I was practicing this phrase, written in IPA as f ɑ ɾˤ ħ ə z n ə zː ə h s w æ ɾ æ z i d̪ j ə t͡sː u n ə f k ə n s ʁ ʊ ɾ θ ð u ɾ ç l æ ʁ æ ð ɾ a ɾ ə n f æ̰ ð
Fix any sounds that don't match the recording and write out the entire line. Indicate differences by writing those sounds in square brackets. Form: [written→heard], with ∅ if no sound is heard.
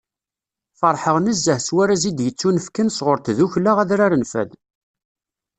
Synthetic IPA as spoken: f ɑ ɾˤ ħ ə [z→ʁ] n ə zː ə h s w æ ɾ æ z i d̪ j ə t͡sː u n ə f k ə n s ʁ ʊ ɾ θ ð u [ɾ→∅] ç l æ ʁ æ ð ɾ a ɾ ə n f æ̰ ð